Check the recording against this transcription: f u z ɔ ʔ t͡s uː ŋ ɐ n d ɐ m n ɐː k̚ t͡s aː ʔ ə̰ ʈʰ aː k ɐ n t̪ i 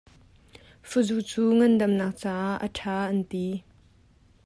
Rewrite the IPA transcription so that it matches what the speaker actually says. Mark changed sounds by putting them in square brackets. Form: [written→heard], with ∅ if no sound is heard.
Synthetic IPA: f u z [ɔ→u] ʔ t͡s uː ŋ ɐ n d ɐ m n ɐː k̚ t͡s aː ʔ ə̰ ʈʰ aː [k→ʔ] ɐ n t̪ i